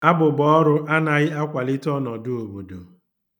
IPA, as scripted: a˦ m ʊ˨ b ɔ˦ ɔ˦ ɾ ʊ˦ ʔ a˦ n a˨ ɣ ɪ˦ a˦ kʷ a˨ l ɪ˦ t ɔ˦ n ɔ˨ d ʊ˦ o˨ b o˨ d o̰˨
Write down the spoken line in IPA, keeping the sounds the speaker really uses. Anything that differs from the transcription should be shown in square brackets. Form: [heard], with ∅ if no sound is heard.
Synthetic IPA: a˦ [b] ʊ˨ b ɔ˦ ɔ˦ ɾ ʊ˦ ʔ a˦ n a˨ ɣ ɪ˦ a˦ kʷ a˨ l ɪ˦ t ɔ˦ n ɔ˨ d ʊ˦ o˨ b o˨ d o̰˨

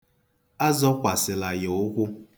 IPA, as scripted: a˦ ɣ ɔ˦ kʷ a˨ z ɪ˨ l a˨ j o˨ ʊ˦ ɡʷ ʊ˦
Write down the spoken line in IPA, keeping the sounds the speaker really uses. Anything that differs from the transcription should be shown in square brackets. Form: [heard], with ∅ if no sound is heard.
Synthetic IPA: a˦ [z] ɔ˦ kʷ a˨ [s] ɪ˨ l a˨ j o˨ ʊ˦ [kʷ] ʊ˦

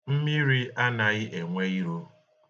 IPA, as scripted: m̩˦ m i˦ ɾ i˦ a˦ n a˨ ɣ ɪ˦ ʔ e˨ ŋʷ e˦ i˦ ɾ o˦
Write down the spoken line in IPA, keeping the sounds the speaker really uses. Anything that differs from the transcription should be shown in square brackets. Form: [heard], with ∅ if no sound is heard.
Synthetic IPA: m̩˦ m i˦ ɾ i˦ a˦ n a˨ ɣ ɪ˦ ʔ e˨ ŋʷ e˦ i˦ ɾ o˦

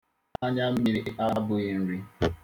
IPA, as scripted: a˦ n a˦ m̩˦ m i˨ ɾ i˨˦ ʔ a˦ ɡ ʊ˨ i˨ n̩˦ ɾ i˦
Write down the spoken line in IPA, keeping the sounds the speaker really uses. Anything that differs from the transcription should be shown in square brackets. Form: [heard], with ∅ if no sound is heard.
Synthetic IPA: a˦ [ɲ] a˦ m̩˦ m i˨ ɾ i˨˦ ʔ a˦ [b] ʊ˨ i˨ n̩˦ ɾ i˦

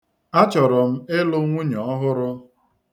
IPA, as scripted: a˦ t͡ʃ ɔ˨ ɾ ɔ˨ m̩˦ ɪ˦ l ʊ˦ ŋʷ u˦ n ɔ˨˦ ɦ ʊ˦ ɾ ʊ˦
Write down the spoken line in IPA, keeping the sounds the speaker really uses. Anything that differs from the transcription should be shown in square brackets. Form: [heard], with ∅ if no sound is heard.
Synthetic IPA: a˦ t͡ʃ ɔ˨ ɾ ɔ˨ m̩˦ ɪ˦ l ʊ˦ ŋʷ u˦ [ɲ] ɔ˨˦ ɦ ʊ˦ ɾ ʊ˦

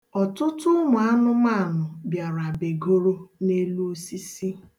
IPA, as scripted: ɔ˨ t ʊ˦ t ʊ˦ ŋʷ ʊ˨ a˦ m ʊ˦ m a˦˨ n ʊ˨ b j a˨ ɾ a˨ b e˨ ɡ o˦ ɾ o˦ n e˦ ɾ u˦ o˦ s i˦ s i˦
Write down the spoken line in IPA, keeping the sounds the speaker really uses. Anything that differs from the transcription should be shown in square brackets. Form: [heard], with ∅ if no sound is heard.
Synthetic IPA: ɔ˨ t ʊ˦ t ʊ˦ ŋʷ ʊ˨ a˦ [n] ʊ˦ m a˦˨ n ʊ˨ b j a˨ ɾ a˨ b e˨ ɡ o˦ ɾ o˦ n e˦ [l] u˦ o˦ s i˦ s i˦

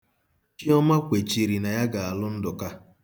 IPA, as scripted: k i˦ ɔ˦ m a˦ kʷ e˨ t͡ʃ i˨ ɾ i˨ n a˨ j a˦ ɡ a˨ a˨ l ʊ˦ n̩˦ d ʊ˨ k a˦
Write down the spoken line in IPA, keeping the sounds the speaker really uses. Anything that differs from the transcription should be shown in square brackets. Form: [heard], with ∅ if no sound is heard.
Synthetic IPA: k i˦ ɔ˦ m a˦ kʷ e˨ t͡ʃ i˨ ɾ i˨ n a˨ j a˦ ɡ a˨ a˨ l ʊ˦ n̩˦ d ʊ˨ k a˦

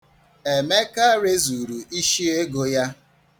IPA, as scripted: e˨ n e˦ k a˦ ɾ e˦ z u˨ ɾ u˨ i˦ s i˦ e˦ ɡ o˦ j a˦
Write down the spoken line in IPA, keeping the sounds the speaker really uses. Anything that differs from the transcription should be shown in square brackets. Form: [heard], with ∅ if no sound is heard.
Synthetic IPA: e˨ [m] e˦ k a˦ ɾ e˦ z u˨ ɾ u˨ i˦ [ʃ] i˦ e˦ ɡ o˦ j a˦

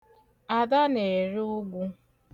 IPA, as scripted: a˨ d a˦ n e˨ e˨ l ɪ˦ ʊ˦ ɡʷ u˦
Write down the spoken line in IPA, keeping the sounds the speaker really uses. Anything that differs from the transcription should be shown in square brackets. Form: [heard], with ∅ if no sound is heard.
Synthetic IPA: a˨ d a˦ n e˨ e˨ [ɾ] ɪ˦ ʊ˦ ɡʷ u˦

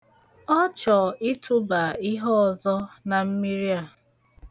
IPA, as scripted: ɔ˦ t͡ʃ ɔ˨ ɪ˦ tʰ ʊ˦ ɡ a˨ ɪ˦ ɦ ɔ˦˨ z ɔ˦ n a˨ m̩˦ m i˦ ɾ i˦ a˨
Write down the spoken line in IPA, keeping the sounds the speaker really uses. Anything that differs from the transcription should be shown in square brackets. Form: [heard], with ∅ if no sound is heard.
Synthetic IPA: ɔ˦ t͡ʃ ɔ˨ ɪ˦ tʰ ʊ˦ [b] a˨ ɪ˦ ɦ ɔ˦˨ z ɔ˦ n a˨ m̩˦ m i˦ ɾ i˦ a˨

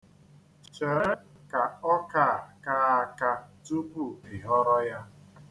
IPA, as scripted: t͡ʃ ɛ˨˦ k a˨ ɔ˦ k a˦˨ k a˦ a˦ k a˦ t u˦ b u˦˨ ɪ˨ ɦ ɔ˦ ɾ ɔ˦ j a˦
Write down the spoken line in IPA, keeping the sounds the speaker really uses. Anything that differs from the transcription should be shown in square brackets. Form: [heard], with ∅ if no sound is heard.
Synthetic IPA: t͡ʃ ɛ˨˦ k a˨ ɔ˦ k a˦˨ k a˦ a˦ k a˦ t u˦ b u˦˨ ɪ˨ ɦ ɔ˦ ɾ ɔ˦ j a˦

